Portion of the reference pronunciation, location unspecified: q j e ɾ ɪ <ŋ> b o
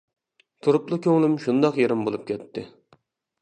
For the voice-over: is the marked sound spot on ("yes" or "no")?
no